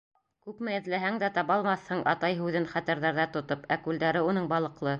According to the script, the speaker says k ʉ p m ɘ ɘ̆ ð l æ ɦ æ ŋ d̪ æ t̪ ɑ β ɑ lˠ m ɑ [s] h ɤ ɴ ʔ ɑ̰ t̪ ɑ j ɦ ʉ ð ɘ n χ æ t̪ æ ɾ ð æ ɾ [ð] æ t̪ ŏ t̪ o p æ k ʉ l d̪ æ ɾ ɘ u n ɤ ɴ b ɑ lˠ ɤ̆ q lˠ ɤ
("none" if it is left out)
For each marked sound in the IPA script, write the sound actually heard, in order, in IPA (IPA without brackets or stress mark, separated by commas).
θ, ð